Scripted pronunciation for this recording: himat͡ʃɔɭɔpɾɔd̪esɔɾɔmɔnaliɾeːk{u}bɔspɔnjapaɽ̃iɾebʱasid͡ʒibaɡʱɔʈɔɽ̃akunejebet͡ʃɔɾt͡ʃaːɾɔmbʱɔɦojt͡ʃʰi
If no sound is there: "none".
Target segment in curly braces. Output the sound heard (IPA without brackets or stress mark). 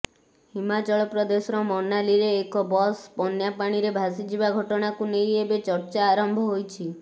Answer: ɔ